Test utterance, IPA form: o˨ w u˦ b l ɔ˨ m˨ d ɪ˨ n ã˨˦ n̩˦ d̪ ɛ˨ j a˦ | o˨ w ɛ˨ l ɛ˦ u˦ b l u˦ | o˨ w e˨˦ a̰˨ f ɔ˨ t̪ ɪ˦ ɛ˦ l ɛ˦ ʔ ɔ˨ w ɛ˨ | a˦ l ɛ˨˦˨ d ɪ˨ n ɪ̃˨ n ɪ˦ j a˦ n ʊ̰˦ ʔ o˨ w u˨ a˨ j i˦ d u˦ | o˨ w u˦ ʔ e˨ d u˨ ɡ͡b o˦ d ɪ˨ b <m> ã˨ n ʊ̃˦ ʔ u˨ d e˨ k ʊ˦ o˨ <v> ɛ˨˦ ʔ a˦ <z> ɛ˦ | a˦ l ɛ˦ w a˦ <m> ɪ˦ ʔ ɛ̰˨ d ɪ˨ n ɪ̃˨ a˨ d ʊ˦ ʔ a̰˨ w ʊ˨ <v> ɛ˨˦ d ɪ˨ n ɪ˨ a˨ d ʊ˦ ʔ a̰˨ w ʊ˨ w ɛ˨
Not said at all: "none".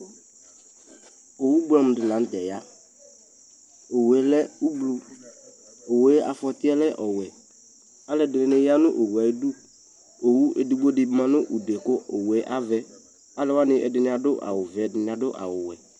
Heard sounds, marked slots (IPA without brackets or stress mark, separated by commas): m, w, v, n, v